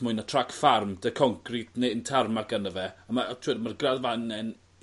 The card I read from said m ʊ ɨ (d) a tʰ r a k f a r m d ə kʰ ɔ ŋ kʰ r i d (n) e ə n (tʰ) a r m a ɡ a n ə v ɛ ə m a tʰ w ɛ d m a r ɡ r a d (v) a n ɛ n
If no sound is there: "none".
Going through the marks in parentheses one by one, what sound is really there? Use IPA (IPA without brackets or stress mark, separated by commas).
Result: n, n, tʰ, v